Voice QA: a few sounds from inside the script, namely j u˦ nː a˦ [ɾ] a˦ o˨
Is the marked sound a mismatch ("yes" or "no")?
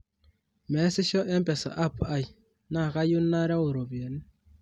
no